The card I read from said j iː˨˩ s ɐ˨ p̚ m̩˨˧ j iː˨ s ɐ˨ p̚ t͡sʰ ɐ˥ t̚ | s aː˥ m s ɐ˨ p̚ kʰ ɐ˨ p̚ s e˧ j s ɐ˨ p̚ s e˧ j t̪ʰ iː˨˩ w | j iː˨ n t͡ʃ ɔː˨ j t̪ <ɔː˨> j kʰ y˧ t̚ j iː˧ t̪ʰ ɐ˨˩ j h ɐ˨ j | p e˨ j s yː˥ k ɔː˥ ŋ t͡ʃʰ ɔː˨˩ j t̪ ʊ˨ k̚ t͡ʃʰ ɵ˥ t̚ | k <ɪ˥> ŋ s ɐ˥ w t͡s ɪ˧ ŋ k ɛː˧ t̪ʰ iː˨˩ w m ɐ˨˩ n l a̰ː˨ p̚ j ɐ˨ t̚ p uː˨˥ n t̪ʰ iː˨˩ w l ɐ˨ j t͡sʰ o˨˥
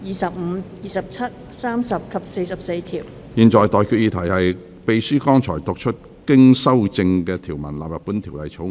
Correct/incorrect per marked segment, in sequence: correct, correct

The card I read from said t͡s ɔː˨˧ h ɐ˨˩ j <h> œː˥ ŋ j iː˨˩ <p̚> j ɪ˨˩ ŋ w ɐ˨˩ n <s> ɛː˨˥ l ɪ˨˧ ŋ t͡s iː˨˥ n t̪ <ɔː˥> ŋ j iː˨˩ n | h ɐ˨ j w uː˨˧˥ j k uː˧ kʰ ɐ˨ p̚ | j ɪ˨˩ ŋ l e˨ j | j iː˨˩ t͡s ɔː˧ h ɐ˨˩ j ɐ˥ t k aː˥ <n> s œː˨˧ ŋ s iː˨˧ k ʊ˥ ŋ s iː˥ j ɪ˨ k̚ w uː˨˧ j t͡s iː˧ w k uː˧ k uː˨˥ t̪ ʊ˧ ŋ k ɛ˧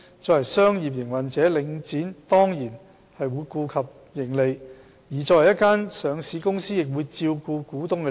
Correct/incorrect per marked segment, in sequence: incorrect: s, correct, incorrect: t͡s, correct, correct

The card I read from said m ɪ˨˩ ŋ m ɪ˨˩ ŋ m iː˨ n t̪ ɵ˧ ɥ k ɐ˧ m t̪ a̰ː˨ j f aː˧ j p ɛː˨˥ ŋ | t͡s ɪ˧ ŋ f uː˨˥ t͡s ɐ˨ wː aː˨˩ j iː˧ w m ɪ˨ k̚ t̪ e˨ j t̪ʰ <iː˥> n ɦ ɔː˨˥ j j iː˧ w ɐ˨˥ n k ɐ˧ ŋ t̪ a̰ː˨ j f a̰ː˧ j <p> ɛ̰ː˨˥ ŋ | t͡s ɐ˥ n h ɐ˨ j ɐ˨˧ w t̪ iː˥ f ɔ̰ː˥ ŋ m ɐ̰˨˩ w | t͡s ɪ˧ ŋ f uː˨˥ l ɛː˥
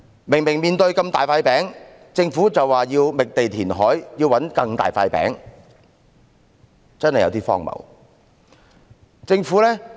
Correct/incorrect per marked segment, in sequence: incorrect: iː˨˩, correct

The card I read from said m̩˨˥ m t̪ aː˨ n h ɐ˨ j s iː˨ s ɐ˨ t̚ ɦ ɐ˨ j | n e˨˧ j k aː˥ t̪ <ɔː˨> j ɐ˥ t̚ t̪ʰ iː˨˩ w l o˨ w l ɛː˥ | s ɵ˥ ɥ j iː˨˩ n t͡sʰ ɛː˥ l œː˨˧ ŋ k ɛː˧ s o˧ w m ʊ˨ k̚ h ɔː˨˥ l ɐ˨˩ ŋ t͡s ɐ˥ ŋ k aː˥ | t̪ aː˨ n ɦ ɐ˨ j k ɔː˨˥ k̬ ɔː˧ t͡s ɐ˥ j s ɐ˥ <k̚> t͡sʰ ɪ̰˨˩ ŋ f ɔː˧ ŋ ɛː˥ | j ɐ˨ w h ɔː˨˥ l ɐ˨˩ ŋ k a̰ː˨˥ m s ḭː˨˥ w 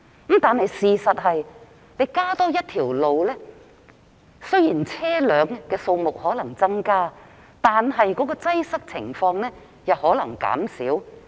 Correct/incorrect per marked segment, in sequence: incorrect: ɔː˥, correct

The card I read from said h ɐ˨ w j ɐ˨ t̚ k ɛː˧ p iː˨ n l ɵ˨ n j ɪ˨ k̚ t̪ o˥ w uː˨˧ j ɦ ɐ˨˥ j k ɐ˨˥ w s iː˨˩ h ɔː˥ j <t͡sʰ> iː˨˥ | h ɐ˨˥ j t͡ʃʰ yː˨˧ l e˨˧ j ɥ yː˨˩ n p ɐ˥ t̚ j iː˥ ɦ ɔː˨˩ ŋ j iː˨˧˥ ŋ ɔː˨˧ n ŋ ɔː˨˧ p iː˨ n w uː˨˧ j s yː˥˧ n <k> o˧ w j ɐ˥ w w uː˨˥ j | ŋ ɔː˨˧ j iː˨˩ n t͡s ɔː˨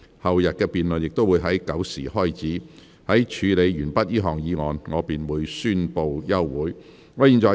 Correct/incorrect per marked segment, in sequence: incorrect: t͡s, incorrect: p

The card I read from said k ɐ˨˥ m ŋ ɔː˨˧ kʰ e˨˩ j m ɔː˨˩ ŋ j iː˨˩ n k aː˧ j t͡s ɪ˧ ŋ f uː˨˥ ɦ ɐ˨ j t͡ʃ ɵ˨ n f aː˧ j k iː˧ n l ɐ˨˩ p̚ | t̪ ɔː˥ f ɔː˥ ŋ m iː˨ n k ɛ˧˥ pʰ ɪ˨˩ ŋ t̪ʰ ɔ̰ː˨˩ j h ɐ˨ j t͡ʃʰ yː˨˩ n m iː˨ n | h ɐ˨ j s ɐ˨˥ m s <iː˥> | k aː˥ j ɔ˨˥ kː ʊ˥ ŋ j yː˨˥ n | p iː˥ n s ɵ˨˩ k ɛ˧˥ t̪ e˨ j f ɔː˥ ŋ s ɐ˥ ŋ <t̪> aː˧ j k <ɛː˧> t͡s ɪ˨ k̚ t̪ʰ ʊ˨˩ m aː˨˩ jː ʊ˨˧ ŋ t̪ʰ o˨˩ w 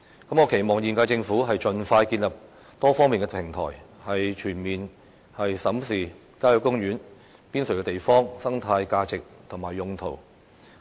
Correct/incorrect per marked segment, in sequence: incorrect: iː˨, incorrect: t̪ʰ, incorrect: aː˧

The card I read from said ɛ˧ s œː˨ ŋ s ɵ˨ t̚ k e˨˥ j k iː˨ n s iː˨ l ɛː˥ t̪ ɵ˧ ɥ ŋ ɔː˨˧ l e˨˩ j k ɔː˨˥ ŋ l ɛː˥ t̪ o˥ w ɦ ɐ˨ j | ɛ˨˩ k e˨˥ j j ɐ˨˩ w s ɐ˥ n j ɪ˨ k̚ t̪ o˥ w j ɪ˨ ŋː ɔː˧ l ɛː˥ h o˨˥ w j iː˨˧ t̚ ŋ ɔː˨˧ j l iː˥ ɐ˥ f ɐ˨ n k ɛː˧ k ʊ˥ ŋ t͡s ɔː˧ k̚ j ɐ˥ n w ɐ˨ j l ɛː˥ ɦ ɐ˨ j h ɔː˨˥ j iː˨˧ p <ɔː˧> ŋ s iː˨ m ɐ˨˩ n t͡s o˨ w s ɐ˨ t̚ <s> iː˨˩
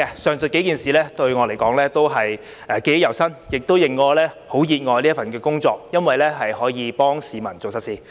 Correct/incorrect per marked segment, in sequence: incorrect: ɔː˥, correct

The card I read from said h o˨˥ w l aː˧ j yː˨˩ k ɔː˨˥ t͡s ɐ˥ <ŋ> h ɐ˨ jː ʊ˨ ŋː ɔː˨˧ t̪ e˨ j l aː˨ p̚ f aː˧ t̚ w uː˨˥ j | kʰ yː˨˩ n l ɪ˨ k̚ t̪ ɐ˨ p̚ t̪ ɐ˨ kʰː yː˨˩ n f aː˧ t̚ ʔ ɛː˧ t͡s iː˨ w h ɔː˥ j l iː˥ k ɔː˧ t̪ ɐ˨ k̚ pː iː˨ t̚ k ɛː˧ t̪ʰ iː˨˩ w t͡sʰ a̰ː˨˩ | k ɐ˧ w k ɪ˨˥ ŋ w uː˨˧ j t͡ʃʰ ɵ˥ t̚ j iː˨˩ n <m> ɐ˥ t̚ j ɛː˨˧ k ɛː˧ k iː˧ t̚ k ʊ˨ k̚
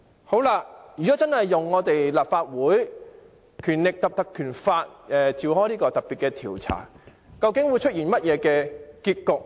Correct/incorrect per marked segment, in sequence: incorrect: n, correct

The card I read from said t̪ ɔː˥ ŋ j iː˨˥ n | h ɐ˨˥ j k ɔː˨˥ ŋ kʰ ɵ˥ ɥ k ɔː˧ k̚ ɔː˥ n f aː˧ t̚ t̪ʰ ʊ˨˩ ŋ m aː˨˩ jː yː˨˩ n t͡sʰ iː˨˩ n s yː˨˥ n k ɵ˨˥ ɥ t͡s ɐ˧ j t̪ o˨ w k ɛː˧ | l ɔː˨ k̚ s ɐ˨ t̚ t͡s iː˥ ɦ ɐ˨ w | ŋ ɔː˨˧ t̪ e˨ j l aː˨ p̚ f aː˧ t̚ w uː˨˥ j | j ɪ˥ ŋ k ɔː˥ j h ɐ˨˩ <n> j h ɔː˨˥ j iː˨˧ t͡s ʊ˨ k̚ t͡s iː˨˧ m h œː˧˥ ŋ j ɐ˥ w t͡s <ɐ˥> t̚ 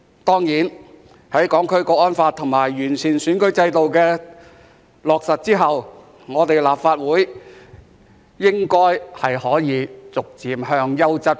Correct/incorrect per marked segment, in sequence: incorrect: none, correct

